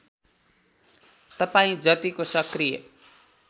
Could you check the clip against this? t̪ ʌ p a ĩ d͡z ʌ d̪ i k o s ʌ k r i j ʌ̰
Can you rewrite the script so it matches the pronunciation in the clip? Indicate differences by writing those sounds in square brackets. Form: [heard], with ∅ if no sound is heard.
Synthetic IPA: t̪ ʌ p a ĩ d͡z ʌ [t̪] i k o s ʌ k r i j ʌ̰